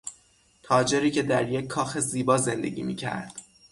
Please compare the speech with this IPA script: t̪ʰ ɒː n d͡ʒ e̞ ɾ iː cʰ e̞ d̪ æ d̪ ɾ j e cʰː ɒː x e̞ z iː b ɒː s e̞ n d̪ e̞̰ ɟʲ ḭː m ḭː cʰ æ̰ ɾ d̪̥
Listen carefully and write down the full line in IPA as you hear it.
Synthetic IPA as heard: t̪ʰ ɒː d͡ʒ e̞ ɾ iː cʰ e̞ d̪ æ ɾ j e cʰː ɒː x e̞ z iː b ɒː z e̞ n d̪ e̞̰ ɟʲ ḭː m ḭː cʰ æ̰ ɾ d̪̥